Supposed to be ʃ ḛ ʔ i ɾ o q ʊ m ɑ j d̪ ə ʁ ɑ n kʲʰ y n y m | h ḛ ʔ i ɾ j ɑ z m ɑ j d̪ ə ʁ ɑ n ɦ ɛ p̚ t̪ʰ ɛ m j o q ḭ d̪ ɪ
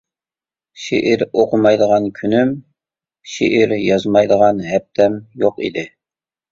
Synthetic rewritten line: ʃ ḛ ʔ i ɾ o q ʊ m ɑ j d̪ ə ʁ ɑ n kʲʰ y n y m | ʃ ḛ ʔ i ɾ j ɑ z m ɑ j d̪ ə ʁ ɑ n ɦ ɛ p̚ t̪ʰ ɛ m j o q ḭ d̪ ɪ